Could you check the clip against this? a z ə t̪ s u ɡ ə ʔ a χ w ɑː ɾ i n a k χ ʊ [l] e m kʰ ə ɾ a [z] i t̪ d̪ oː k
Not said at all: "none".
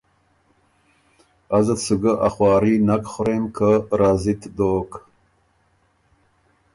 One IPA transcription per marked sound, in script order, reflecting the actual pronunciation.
ɾ, z

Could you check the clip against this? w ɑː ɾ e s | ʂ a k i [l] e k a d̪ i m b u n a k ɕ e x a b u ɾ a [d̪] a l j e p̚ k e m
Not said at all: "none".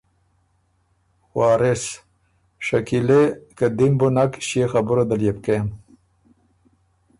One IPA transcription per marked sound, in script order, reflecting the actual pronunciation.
l, d̪

